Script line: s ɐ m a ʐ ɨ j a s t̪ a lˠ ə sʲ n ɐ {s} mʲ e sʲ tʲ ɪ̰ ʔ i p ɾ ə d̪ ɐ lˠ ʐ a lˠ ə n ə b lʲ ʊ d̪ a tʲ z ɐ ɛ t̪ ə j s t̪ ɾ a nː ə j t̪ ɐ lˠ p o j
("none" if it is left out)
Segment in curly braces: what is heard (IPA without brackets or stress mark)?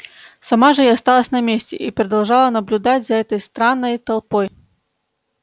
none